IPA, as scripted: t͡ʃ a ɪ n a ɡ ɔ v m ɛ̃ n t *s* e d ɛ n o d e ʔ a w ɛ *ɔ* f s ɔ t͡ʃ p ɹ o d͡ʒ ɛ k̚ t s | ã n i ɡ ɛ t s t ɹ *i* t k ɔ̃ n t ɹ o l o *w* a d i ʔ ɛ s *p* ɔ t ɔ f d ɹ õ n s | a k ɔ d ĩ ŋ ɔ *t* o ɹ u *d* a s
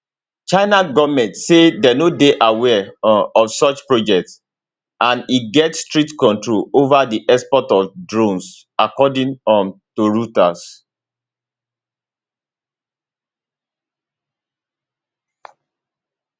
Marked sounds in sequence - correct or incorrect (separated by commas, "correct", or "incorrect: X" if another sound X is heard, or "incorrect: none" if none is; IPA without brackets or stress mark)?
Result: correct, correct, correct, incorrect: v, correct, correct, incorrect: t